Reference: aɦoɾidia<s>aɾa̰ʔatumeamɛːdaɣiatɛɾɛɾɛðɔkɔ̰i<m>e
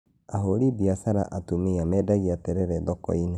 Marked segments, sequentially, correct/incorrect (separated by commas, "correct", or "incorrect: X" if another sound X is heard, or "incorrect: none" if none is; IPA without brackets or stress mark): correct, incorrect: n